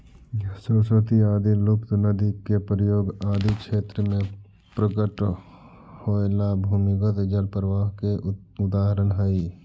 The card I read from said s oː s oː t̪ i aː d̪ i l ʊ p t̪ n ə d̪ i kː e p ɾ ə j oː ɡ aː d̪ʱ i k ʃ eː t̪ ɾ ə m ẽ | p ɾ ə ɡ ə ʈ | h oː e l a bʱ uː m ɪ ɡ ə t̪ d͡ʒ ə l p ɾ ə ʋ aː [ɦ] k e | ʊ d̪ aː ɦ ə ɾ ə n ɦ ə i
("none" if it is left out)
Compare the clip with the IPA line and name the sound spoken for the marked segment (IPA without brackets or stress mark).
ɦ